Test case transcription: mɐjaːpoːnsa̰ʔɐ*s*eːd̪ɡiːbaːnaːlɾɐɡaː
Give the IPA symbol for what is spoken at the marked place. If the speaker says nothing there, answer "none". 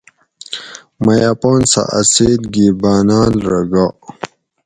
s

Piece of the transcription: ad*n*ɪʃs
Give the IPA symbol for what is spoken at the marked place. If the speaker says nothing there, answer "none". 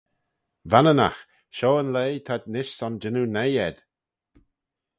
n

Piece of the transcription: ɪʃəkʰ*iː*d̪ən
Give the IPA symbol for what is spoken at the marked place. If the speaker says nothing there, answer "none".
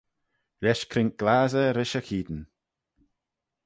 iː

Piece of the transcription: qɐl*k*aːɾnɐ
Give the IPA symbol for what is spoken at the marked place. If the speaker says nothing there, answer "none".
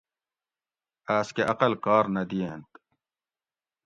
k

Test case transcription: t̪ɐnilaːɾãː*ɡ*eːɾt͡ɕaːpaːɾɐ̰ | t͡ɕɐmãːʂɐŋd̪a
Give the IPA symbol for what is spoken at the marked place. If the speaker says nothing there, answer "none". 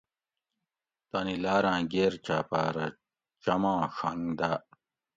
ɡ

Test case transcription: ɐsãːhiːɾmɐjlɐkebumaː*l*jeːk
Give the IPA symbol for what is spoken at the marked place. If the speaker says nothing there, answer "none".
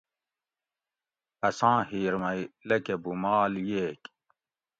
l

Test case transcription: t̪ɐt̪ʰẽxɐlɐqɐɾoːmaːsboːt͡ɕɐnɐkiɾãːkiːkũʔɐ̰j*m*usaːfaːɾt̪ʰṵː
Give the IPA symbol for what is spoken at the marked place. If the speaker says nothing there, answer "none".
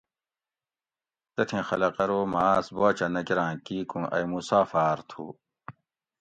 m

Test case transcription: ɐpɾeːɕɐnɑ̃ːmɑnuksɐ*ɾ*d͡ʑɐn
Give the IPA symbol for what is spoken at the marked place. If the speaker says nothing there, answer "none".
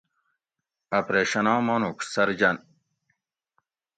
ɾ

